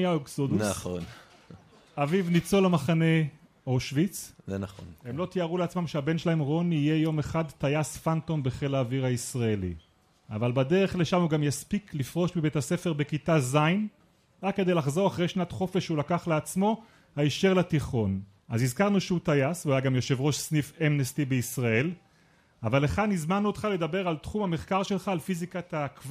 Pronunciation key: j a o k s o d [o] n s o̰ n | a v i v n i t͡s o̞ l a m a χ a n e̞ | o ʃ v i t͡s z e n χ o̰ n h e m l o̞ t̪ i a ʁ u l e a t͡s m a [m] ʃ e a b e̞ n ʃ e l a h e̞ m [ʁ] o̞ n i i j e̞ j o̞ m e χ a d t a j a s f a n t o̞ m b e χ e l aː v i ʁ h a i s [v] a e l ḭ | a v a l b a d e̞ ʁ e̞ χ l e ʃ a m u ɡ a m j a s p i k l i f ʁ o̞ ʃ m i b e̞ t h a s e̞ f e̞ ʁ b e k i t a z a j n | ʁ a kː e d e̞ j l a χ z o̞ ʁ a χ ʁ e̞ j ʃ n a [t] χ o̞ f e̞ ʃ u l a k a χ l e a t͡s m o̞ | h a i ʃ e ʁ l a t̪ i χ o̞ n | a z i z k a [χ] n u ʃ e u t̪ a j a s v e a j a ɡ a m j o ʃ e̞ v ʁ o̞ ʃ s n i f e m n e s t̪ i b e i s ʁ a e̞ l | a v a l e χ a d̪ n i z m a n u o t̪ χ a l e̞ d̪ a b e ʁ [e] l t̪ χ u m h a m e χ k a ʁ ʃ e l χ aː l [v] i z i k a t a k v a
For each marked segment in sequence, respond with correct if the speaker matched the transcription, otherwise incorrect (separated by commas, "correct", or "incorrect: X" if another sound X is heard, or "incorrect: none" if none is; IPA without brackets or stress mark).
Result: incorrect: u, correct, correct, incorrect: ʁ, correct, incorrect: ʁ, incorrect: a, incorrect: f